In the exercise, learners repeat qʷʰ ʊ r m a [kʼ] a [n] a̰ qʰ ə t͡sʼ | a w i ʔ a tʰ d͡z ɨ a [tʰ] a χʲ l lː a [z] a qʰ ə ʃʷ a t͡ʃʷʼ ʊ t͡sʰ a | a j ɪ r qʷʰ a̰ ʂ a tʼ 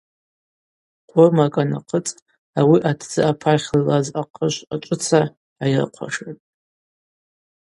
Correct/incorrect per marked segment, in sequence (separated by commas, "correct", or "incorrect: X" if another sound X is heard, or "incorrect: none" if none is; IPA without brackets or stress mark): correct, correct, incorrect: pʰ, correct